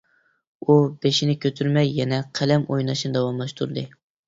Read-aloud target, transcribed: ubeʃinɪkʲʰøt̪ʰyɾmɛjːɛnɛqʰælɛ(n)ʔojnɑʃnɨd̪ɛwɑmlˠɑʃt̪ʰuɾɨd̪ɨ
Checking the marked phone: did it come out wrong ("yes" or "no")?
yes